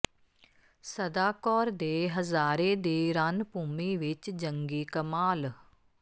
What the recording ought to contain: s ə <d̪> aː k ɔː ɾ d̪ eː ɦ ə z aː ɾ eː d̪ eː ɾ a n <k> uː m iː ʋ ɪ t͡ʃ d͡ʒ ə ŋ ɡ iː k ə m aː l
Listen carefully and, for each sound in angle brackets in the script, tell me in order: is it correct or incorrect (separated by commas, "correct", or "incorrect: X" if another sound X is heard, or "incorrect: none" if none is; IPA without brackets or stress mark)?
correct, incorrect: p